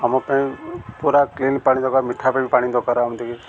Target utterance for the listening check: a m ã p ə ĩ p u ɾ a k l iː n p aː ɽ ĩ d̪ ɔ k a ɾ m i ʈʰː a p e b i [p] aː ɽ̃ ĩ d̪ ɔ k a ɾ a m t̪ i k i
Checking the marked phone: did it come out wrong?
no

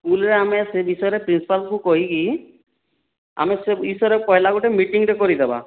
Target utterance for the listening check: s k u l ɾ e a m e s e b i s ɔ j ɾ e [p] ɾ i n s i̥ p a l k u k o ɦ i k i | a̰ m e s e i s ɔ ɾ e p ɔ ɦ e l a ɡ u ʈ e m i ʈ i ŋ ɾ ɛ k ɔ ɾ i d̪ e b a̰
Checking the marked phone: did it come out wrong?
no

